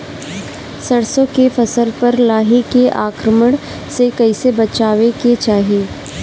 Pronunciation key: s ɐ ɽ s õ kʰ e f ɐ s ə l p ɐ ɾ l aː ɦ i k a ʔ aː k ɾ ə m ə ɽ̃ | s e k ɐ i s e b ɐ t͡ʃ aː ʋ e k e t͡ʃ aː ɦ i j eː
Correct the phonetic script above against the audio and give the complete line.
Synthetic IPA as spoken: s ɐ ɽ s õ k e f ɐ s ə l p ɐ ɾ l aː ɦ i k e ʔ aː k ɾ ə m ə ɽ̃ | s e k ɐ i s e b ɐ t͡ʃ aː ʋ e k e t͡ʃ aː ɦ i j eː